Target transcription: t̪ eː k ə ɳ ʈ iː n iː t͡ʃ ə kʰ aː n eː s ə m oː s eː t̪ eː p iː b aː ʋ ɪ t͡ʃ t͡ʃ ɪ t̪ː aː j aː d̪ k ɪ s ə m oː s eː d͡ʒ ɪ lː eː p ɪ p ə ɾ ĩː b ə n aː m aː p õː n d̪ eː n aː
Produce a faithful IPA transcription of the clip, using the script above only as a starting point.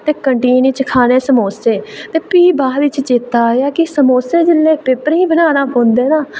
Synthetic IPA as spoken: t̪ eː k ə ɳ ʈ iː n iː t͡ʃ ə kʰ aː n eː s ə m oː s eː t̪ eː p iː b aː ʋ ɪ t͡ʃ t͡ʃ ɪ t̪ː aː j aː k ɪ s ə m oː s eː d͡ʒ ɪ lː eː p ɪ p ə ɾ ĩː b ə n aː n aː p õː n d̪ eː n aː